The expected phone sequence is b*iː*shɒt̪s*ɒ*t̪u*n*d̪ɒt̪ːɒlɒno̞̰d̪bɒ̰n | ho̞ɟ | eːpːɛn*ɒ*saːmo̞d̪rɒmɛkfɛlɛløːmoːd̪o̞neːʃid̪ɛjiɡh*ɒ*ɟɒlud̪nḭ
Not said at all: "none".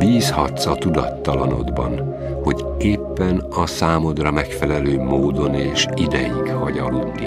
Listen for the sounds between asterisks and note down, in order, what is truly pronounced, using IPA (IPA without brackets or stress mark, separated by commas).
iː, ɒ, none, ɒ, ɒ